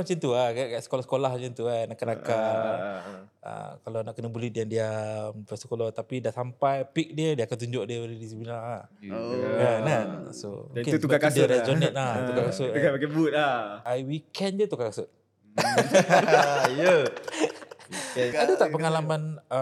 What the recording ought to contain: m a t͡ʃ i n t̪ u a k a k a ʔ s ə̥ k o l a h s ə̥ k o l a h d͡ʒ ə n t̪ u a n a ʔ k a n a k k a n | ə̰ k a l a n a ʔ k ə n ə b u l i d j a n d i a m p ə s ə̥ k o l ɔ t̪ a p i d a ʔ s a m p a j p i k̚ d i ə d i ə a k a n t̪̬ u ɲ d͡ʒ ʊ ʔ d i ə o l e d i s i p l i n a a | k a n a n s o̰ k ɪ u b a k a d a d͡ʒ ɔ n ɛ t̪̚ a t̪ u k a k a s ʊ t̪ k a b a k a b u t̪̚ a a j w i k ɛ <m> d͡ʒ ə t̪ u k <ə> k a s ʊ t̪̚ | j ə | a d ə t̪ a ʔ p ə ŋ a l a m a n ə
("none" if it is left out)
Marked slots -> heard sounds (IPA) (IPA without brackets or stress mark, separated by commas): n, a